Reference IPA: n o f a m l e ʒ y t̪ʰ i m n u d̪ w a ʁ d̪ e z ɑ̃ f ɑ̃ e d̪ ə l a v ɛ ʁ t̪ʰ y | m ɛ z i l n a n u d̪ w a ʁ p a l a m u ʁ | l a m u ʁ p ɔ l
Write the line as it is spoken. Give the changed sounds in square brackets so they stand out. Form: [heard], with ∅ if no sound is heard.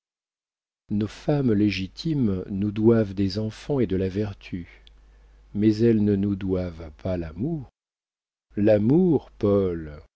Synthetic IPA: n o f a m l e ʒ [i] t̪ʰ i m n u d̪ w a [v] d̪ e z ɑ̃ f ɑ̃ e d̪ ə l a v ɛ ʁ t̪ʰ y | m ɛ z [ɛ] l n [ə] n u d̪ w a [v] p a l a m u ʁ | l a m u ʁ p ɔ l